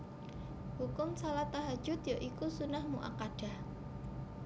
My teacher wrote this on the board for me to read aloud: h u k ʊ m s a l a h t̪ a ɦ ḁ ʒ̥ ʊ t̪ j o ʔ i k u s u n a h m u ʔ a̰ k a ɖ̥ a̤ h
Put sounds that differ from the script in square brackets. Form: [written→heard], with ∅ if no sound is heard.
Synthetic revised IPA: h u k ʊ m s a l a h t̪ a ɦ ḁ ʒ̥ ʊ t̪ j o ʔ i k u s u n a h m u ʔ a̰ k a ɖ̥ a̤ h